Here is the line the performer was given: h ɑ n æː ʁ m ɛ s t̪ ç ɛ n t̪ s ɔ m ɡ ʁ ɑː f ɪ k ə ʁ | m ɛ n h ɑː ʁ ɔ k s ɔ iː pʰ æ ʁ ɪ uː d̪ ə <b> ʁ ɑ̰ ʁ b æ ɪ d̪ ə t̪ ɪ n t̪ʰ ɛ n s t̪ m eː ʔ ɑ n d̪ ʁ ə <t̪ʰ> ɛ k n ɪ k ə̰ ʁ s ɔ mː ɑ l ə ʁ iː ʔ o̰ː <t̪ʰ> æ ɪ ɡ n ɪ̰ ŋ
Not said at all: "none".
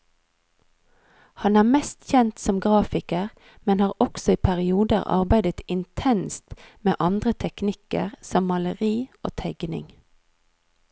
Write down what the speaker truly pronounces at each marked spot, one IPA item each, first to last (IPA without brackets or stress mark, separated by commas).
none, t̪ʰ, t̪ʰ